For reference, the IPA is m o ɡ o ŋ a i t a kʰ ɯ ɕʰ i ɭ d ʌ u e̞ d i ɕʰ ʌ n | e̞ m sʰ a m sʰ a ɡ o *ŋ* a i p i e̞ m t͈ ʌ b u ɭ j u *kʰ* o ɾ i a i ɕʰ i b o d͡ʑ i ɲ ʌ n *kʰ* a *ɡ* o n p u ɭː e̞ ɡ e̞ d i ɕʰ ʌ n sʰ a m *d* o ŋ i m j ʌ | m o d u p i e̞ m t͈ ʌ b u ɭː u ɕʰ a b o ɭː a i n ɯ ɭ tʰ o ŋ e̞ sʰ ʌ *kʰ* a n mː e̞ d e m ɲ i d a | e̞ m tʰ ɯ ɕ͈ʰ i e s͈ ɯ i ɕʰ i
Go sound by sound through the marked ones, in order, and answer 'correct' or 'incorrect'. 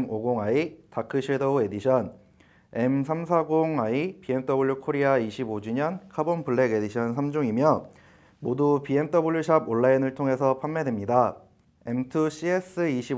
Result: correct, correct, correct, incorrect, incorrect, incorrect

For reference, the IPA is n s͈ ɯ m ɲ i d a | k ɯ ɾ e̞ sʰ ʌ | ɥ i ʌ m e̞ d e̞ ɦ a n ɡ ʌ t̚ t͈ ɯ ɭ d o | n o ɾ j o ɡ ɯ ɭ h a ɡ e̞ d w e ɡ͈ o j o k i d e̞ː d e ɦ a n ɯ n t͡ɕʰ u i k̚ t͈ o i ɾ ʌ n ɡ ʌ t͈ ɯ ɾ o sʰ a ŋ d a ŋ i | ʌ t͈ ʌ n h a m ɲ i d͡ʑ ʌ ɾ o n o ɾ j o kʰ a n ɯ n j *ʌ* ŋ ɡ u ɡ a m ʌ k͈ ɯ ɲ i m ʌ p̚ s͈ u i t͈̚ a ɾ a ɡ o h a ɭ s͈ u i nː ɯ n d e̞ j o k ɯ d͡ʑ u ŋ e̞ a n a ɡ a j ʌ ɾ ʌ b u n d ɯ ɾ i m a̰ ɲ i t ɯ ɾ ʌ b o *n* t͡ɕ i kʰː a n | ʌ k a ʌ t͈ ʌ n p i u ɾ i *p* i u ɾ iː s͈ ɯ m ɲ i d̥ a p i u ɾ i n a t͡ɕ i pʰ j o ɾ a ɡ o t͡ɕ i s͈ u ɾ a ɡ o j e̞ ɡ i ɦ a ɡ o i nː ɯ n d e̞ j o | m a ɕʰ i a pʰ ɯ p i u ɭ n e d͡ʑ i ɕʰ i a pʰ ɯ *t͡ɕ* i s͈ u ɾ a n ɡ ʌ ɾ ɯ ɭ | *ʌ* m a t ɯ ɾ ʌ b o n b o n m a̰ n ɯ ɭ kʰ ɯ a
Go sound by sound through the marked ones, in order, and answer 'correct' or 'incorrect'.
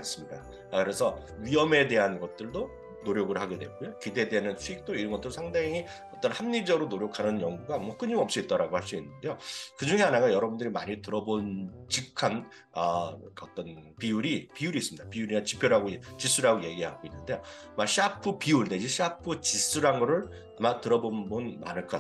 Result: correct, correct, correct, correct, incorrect

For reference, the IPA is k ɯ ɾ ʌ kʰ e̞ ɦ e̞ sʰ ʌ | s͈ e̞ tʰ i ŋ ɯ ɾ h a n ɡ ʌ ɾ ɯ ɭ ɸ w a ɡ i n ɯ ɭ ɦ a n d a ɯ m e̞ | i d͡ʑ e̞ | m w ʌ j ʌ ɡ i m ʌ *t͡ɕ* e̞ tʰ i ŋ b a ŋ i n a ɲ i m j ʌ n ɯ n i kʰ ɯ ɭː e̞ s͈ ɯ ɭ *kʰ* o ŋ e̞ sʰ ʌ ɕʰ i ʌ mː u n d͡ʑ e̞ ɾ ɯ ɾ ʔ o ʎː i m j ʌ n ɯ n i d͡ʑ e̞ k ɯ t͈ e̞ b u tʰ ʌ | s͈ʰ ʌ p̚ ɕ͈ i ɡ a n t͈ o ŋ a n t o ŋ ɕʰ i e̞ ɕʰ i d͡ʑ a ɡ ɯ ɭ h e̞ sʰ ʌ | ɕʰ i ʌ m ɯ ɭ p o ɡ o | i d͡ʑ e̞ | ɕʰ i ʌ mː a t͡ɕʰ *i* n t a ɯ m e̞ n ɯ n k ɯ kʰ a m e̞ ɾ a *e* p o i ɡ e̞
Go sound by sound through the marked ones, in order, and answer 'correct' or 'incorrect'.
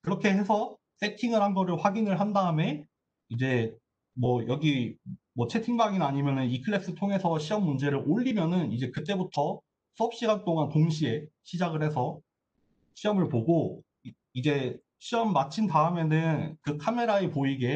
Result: incorrect, incorrect, correct, correct

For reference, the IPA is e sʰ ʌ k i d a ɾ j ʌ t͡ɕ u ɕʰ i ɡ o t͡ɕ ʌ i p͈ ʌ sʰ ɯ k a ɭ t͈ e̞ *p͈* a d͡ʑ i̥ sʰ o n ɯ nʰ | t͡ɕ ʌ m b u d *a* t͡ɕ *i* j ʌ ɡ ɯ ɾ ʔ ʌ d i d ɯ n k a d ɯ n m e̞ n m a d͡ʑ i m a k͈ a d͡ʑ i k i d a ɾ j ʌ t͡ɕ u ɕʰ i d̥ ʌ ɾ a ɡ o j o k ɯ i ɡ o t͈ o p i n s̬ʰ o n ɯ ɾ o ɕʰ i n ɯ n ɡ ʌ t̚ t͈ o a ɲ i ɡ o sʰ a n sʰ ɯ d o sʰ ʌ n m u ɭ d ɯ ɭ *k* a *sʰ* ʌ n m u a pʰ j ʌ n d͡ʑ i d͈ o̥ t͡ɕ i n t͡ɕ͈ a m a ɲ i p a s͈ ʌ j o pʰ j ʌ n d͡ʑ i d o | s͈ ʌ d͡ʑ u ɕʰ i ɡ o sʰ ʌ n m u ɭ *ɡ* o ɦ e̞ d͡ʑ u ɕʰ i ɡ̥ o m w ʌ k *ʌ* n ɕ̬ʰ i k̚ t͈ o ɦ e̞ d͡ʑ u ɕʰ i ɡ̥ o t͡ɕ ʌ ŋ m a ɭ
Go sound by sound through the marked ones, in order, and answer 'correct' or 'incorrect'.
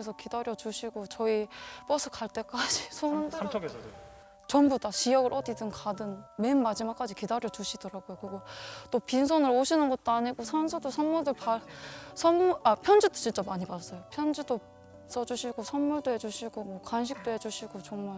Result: incorrect, correct, correct, incorrect, correct, incorrect, incorrect

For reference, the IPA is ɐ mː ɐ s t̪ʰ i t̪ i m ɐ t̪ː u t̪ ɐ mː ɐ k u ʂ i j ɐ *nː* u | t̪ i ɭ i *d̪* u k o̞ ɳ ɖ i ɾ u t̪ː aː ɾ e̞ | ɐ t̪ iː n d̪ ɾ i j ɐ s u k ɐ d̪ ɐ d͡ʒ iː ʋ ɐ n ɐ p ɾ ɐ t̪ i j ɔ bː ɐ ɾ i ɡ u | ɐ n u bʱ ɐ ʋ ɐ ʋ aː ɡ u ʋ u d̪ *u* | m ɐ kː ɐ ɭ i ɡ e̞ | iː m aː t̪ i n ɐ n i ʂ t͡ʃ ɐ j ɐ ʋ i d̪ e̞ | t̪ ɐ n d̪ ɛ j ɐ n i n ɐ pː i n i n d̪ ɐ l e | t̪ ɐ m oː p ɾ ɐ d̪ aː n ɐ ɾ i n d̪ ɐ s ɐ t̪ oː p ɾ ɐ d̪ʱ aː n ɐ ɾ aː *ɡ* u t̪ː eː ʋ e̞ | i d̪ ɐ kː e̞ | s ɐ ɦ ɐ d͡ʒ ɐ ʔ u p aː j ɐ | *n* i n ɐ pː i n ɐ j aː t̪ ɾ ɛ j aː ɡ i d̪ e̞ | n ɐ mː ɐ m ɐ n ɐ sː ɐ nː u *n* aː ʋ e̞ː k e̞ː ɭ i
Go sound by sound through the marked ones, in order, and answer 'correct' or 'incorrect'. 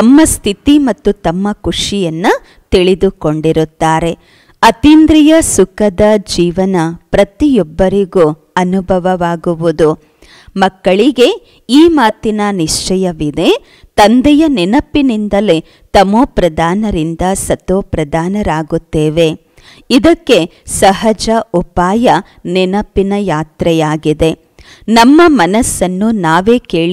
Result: correct, correct, correct, correct, correct, correct

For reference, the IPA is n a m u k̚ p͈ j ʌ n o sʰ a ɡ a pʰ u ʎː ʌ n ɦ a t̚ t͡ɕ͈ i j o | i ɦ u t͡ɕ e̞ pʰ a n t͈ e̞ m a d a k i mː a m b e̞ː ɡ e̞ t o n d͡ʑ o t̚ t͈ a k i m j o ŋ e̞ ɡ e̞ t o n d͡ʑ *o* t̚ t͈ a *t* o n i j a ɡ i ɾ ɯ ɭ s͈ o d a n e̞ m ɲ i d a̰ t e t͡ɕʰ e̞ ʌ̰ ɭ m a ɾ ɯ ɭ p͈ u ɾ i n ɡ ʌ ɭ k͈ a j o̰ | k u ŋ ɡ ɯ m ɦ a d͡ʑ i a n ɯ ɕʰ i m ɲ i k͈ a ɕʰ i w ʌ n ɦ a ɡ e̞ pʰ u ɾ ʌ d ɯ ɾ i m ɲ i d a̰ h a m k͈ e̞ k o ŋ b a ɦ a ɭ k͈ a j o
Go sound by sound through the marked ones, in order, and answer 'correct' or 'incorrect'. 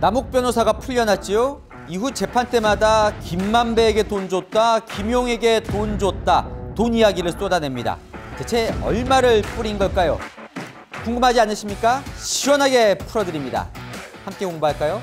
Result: correct, correct

